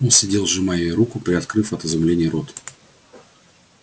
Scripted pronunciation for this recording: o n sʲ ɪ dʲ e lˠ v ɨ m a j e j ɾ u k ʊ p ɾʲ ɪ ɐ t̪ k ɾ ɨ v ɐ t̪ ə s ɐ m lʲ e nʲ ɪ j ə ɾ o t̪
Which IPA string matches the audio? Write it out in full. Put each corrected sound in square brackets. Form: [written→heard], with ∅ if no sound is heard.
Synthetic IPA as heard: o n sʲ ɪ dʲ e lˠ [v→ʐ] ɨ m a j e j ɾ u k ʊ p ɾʲ ɪ ɐ t̪ k ɾ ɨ [v→f] ɐ t̪ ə [s→z] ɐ m lʲ e nʲ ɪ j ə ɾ o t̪